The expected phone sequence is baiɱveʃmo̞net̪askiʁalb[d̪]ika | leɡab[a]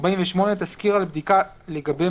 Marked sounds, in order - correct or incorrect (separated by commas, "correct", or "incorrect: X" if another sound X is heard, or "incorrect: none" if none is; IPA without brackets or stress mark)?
correct, incorrect: e